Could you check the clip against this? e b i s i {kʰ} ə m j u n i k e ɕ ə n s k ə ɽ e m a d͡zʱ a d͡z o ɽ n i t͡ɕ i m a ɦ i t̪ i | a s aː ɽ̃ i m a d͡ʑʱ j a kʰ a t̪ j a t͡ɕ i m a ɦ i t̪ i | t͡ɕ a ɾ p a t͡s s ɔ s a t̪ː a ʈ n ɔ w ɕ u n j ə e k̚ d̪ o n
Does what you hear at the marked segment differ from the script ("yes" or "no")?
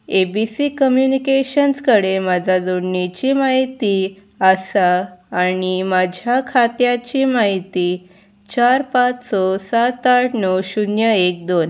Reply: yes